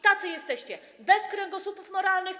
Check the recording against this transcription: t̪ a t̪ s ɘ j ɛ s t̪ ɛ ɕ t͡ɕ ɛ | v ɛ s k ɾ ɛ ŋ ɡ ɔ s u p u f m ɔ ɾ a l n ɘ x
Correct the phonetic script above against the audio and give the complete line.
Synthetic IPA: t̪ a t̪ s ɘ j ɛ s t̪ ɛ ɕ t͡ɕ ɛ | b ɛ s k ɾ ɛ ŋ ɡ ɔ s u p u f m ɔ ɾ a l n ɘ x